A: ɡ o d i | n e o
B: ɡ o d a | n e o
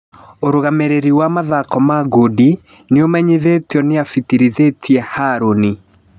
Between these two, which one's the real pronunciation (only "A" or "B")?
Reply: A